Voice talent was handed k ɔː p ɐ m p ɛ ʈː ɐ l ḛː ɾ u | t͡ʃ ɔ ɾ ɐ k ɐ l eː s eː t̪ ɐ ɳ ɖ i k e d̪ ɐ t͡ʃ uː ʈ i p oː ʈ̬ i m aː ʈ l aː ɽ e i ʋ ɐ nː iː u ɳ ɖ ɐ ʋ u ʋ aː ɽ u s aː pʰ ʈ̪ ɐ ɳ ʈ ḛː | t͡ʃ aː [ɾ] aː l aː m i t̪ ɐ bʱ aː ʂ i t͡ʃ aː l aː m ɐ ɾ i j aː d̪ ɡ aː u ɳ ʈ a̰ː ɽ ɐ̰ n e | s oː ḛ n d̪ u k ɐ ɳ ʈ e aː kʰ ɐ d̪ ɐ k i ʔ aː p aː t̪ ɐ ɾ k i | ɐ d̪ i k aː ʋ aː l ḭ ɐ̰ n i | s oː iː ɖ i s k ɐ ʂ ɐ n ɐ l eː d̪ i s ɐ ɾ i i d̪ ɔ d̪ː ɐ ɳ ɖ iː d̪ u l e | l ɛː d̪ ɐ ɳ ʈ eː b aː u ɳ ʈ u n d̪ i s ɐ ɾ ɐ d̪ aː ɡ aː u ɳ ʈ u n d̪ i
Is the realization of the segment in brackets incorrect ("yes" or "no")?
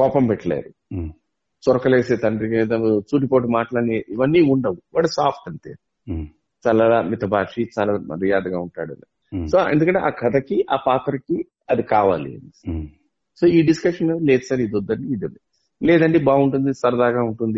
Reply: yes